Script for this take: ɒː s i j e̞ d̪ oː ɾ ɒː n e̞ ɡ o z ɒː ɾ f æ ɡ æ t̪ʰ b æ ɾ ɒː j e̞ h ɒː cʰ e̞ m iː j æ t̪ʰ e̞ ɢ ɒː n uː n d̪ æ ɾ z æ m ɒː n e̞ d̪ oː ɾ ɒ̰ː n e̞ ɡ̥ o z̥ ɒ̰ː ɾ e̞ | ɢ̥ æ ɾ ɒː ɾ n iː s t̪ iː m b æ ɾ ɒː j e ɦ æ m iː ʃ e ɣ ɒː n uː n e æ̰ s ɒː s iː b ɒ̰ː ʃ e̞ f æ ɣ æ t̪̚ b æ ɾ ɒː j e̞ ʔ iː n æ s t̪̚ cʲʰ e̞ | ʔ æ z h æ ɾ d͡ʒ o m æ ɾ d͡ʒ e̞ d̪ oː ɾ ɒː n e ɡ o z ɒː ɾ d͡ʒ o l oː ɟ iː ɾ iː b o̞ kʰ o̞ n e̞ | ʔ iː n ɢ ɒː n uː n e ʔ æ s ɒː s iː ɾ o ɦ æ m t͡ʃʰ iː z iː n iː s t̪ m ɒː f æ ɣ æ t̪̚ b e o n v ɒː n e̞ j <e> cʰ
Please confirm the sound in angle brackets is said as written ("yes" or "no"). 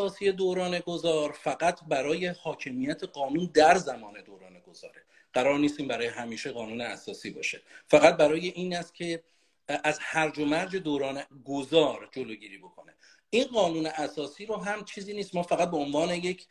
yes